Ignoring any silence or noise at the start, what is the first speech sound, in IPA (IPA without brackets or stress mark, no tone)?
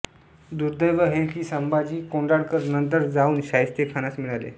d̪